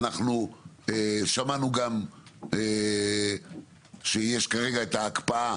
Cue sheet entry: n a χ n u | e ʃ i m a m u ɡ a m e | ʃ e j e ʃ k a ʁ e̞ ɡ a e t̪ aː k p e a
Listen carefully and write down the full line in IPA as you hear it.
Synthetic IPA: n a χ n u | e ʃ a m a n u ɡ a m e | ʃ e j e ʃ k a ʁ e̞ ɡ a e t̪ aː k p a a